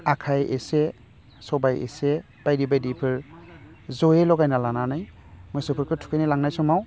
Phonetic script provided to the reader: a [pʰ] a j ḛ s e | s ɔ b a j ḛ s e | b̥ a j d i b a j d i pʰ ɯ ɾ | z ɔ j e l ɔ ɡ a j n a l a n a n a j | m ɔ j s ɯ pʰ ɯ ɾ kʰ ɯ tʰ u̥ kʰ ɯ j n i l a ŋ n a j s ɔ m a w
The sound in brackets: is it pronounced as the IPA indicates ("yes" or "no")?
no